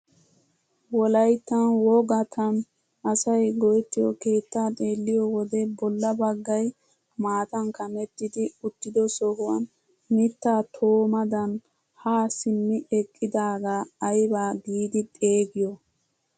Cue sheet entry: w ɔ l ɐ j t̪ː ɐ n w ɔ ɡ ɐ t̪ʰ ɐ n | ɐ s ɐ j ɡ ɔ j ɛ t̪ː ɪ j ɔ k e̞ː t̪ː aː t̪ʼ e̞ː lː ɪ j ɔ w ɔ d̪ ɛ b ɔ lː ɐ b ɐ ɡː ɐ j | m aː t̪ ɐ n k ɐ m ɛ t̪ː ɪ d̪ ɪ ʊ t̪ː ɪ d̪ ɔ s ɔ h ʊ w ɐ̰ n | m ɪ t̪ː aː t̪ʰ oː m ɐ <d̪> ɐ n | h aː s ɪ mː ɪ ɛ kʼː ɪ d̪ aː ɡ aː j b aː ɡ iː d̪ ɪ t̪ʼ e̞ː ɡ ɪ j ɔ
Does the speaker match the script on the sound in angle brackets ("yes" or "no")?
yes